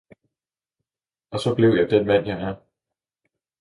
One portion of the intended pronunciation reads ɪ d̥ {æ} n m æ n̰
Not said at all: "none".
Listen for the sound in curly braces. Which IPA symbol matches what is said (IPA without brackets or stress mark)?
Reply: e